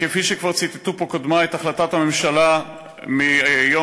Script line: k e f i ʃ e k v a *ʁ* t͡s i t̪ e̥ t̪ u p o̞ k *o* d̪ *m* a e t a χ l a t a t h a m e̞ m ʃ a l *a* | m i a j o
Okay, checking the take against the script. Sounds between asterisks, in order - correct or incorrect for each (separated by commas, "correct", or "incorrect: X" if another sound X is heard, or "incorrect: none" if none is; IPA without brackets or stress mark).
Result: correct, correct, correct, correct